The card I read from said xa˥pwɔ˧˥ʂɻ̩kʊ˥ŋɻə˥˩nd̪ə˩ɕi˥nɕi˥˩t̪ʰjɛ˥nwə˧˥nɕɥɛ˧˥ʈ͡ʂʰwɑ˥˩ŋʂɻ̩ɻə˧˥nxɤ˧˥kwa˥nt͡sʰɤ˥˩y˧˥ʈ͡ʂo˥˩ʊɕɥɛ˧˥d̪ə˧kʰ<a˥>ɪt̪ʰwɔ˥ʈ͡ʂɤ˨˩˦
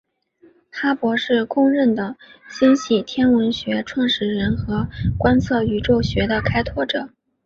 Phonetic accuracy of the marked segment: correct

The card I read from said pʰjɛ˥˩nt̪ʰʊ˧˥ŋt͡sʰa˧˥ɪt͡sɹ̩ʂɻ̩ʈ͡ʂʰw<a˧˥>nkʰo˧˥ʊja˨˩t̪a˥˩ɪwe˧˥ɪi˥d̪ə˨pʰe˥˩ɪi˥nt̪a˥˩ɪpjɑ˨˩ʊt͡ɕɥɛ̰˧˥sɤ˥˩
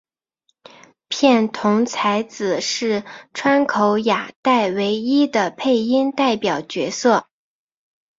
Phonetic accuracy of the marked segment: incorrect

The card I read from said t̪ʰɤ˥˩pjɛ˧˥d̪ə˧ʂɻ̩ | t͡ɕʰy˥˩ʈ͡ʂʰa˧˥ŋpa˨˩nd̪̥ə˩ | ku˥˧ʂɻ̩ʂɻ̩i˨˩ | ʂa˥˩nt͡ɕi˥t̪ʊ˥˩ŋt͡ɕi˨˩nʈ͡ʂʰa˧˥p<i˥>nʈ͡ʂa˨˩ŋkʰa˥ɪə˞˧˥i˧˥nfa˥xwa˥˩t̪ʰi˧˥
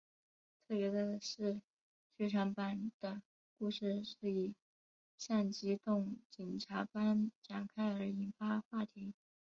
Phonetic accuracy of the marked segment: incorrect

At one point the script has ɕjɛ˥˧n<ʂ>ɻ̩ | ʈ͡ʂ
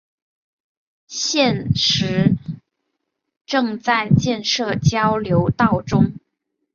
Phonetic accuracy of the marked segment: correct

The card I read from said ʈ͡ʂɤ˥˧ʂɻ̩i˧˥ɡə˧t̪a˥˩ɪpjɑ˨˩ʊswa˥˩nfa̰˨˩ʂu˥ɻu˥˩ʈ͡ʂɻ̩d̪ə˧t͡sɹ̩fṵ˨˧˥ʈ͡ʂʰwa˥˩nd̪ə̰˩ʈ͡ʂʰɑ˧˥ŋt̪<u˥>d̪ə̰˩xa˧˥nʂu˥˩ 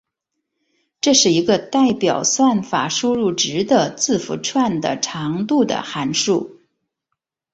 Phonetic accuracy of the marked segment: incorrect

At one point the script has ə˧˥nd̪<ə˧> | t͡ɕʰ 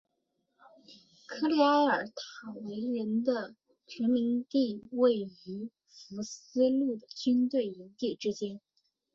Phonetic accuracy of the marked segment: correct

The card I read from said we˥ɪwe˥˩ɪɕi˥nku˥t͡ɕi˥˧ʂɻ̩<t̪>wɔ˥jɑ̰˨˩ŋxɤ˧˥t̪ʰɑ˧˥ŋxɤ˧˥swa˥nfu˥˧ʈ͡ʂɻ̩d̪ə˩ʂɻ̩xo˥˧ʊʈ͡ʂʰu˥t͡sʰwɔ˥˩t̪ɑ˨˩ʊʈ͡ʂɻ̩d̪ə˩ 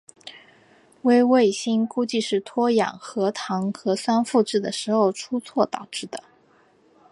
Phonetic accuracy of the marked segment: incorrect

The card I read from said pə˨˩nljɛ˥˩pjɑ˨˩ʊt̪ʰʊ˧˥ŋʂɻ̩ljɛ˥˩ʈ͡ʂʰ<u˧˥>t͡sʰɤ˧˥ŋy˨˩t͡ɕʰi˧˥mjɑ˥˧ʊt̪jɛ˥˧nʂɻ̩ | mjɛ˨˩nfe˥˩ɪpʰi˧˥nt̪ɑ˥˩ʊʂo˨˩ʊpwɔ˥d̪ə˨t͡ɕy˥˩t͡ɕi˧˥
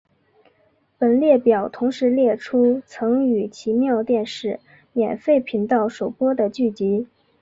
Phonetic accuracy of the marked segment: incorrect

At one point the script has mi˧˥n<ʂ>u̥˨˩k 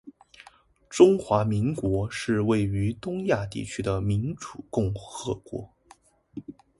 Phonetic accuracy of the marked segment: incorrect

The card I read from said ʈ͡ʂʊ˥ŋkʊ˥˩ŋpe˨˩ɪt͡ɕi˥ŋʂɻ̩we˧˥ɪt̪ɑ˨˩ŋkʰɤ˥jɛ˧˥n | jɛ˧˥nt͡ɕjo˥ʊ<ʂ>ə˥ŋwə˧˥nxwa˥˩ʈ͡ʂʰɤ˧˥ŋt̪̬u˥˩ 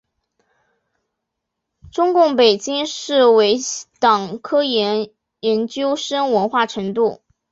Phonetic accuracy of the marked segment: correct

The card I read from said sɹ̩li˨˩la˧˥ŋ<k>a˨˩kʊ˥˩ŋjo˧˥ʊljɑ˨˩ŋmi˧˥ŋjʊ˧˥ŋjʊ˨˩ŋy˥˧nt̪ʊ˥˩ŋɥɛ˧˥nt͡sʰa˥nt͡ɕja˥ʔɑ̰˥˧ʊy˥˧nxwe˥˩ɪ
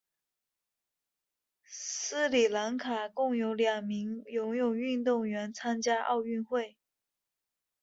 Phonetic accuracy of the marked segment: incorrect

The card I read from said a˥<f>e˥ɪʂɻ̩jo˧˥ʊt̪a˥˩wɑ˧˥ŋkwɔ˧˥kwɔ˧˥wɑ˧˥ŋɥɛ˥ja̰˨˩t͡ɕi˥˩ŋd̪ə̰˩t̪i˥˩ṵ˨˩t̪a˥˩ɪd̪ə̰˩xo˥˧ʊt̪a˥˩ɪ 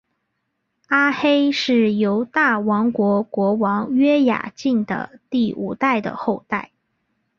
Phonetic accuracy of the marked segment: incorrect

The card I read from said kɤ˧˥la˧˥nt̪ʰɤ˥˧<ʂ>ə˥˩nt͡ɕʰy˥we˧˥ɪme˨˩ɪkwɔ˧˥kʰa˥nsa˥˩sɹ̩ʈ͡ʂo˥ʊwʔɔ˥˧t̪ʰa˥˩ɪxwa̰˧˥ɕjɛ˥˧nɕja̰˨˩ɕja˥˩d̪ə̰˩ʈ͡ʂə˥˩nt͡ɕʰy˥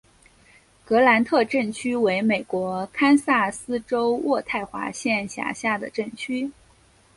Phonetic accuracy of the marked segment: incorrect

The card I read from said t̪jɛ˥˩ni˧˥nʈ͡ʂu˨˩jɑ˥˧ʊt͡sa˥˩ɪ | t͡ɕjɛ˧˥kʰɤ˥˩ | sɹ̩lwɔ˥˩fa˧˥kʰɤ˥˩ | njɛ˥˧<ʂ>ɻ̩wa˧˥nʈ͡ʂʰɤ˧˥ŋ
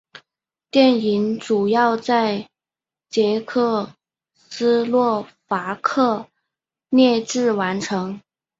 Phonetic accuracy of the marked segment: incorrect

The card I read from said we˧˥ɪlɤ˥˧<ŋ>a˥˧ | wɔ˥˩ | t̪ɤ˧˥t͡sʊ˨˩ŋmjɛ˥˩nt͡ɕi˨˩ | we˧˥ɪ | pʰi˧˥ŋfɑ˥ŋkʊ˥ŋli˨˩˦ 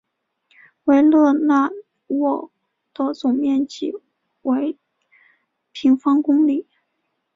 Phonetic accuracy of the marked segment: incorrect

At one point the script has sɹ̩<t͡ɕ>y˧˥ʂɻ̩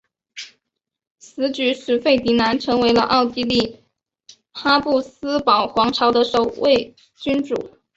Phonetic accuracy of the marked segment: correct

